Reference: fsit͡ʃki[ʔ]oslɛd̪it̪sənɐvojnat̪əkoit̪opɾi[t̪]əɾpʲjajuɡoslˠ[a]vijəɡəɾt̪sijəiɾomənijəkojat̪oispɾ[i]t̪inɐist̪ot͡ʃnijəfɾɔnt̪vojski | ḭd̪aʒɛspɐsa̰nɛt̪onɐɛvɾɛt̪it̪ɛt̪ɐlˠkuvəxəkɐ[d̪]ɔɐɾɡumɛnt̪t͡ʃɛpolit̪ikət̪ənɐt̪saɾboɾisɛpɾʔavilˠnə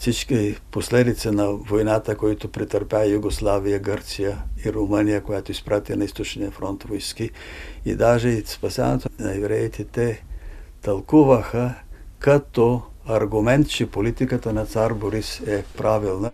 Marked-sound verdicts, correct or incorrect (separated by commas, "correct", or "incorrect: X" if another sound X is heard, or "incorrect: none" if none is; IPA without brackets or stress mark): incorrect: p, correct, correct, incorrect: a, incorrect: t̪